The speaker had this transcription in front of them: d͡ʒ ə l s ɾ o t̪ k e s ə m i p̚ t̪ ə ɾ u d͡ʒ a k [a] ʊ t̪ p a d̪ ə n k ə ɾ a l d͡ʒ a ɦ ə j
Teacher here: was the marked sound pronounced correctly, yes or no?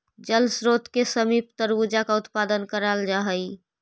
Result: yes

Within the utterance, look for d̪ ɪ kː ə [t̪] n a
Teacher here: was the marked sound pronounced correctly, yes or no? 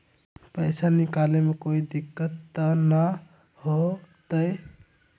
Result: yes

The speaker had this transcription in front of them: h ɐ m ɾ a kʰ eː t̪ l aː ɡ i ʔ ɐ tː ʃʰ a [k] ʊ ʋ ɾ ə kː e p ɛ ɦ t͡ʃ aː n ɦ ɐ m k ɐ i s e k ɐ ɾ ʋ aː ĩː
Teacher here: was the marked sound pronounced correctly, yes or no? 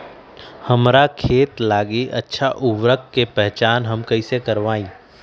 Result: no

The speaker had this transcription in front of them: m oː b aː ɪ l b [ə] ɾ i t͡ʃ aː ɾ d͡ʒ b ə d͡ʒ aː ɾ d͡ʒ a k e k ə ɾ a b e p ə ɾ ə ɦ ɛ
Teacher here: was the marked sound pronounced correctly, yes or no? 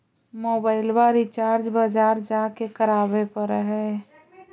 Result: no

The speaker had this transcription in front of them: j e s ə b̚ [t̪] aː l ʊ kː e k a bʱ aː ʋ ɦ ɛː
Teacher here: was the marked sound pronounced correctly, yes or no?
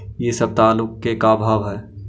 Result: yes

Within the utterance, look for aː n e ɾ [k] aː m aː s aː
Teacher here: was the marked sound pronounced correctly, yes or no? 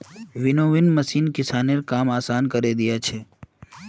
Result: yes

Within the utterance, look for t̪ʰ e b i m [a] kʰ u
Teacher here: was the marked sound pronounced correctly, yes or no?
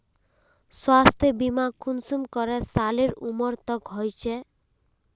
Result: yes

